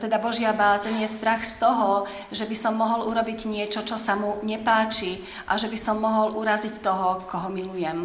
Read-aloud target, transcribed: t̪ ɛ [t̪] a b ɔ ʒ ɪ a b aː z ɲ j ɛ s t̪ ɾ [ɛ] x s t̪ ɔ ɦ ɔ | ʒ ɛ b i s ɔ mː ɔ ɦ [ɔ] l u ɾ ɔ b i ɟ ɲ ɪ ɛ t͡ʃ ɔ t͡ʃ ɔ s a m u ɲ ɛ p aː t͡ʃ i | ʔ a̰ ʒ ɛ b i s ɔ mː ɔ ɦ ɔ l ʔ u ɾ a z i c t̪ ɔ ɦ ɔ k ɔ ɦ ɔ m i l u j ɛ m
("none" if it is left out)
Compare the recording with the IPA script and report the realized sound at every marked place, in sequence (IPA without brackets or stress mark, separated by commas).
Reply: d̪, a, ɔ